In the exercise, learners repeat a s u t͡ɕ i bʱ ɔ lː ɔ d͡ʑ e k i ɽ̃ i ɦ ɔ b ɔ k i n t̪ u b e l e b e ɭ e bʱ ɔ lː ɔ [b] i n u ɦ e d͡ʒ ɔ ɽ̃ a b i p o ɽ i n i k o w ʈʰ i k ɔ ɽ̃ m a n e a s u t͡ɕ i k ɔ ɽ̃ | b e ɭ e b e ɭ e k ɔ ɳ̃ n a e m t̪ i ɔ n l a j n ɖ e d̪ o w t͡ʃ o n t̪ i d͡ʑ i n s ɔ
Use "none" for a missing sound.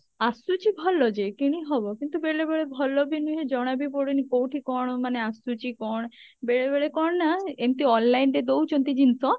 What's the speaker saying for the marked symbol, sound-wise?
b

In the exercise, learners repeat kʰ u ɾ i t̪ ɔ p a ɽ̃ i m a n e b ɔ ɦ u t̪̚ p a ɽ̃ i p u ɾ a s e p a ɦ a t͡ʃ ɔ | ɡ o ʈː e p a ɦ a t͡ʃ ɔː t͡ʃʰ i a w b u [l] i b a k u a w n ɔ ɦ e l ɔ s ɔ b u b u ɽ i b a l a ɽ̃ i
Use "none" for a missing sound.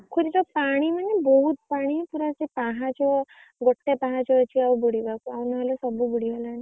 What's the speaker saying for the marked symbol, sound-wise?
ɽ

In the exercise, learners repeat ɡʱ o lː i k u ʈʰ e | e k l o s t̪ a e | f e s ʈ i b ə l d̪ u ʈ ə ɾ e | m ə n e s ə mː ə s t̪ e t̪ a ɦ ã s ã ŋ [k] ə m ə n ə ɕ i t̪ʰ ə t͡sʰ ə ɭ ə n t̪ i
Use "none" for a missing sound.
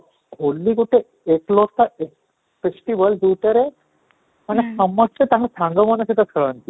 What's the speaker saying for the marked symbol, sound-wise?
ɡ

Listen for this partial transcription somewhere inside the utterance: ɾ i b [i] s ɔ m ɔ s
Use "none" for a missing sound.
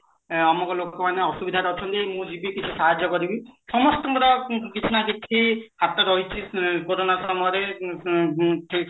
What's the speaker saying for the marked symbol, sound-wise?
i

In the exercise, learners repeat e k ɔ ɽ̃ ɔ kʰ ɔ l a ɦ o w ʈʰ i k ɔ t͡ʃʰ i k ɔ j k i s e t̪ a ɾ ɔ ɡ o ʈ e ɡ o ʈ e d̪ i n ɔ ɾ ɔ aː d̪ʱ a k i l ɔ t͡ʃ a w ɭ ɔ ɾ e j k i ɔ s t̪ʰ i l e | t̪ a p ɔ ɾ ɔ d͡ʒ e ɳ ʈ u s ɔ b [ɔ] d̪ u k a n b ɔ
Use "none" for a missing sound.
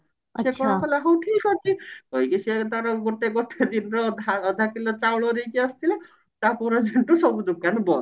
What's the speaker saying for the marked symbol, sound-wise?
u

